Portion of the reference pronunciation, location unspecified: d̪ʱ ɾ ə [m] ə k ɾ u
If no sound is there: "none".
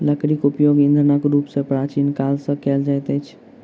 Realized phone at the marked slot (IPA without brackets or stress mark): n